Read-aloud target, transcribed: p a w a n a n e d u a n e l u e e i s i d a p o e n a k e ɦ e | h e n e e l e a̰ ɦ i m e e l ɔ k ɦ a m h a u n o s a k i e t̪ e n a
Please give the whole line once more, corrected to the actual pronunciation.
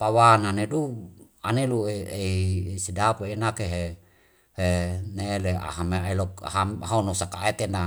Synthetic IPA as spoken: p a w a n a n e d u a n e l u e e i s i d a p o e n a k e ɦ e | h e n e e l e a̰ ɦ a m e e l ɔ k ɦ a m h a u n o s a k a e t̪ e n a

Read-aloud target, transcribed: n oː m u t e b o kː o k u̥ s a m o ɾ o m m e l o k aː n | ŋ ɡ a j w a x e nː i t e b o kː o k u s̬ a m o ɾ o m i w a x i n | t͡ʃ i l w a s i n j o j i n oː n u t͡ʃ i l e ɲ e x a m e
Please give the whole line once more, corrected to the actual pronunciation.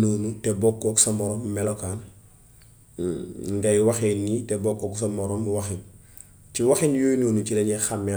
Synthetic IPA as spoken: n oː n u t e b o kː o k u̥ s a m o ɾ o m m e l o k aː n | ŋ ɡ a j w a x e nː i t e b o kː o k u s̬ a m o ɾ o m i w a x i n | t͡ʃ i w a x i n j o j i n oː n u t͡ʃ i l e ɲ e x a m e

